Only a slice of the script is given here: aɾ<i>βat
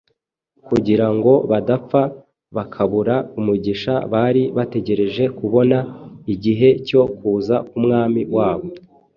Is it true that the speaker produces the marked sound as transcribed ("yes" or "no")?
yes